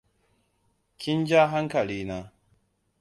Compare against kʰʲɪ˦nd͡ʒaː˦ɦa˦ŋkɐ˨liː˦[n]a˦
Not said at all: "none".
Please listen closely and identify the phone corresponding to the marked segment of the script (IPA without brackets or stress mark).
n